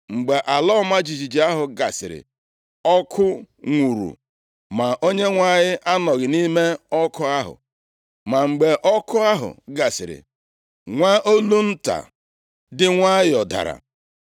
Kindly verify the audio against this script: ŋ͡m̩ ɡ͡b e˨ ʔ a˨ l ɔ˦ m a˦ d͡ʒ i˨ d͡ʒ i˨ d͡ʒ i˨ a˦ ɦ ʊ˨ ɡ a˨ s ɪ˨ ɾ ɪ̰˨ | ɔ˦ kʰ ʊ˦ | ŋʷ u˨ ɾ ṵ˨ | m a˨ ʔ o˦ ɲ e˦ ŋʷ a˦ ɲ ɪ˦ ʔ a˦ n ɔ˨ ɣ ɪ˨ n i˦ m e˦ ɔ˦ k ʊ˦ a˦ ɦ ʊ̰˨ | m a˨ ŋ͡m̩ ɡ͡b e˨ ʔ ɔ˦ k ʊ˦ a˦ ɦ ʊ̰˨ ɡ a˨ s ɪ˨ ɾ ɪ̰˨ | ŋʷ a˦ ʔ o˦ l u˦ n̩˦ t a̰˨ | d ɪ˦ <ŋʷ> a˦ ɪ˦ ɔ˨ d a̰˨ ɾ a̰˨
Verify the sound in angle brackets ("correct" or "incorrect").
correct